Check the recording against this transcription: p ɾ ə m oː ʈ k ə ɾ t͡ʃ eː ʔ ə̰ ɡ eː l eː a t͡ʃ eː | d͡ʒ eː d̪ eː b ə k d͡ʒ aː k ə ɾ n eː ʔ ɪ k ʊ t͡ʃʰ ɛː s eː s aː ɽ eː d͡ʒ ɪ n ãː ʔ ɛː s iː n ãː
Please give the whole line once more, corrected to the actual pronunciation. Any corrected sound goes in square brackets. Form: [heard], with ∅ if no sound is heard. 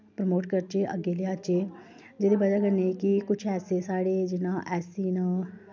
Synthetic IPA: p ɾ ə m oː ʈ k ə ɾ t͡ʃ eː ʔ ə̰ ɡ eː l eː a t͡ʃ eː | d͡ʒ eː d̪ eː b ə [∅] d͡ʒ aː k ə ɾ n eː [k] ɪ k ʊ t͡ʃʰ ɛː s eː s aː ɽ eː d͡ʒ ɪ n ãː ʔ ɛː s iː n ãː